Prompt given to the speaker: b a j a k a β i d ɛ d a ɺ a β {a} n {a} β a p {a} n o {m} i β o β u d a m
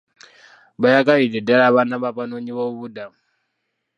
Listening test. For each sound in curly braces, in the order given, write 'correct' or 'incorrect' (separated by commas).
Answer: correct, correct, correct, incorrect